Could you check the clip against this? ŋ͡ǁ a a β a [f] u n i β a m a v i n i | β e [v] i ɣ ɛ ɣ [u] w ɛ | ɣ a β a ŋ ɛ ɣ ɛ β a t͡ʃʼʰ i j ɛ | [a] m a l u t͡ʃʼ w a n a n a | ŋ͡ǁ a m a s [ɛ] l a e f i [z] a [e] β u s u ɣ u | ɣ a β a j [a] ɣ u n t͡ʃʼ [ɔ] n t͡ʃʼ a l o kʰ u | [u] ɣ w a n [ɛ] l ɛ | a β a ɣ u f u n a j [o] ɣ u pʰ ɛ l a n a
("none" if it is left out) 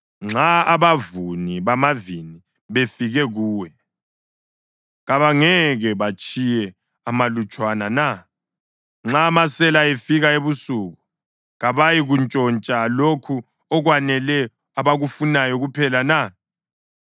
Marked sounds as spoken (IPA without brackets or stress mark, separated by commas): v, f, uː, a, ɛ, ɣ, e, i, ɔ, ɔ, ɛ, ɔ